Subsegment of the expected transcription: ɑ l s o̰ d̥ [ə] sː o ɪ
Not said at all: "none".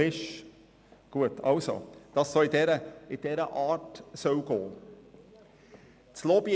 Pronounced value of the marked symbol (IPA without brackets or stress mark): ɑ